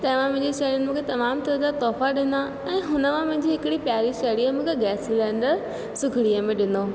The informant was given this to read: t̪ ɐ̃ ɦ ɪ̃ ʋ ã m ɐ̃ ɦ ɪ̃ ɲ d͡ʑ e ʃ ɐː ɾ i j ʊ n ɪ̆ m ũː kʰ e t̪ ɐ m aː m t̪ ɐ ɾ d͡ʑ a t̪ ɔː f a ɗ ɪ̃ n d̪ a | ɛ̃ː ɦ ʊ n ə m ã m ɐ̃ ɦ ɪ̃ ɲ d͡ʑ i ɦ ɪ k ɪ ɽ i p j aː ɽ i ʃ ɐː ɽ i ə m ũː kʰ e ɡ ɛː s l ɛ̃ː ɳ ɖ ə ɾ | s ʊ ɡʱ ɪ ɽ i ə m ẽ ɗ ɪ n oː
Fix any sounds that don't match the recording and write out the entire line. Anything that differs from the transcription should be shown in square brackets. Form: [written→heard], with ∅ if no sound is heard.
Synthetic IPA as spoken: t̪ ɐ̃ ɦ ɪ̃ ʋ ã m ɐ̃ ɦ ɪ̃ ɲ d͡ʑ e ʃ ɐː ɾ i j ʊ n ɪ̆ m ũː kʰ e t̪ ɐ m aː m t̪ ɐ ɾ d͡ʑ a t̪ ɔː f a ɗ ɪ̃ n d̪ a | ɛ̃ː ɦ ʊ n ə m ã m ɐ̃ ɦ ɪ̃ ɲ d͡ʑ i ɦ ɪ k ɪ ɽ i p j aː [ɽ→ɾ] i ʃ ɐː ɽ i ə m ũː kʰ e ɡ ɛː s l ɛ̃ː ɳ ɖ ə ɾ | s ʊ ɡʱ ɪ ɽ i ə m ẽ ɗ ɪ n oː